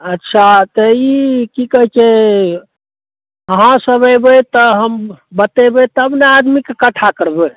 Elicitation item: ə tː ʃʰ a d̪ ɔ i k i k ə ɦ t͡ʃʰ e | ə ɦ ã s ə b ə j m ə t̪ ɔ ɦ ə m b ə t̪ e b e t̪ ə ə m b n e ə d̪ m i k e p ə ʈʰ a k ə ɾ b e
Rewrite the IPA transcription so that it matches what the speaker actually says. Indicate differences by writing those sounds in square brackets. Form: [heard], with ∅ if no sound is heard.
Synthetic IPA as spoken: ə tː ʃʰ a [t̪] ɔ i k i k ə ɦ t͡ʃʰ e | ə ɦ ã s ə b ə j [b] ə t̪ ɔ ɦ ə m b ə t̪ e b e t̪ ə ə [∅] b n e [a] d̪ m i k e [k] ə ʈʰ a k ə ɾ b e